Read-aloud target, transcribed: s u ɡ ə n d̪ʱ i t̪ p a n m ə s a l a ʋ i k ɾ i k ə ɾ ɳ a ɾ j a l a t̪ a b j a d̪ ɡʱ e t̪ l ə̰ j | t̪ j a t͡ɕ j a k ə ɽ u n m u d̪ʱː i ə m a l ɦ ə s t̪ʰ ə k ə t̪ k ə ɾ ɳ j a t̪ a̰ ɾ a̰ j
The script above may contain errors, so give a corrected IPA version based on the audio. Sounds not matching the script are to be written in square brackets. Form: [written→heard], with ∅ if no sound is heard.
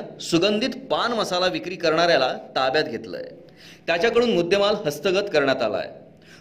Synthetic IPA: s u ɡ ə n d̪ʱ i t̪ p a n m ə s a l a ʋ i k ɾ [i→iː] k ə ɾ ɳ a ɾ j a l a t̪ a b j a [d̪→t̪] ɡʱ e t̪ l ə̰ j | t̪ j a t͡ɕ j a k ə ɽ [u→uː] n m u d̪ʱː [i→j] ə m a l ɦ ə s [t̪ʰ→t̪] ə [k→ɡ] ə t̪ k ə ɾ ɳ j a t̪ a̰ [ɾ→l] a̰ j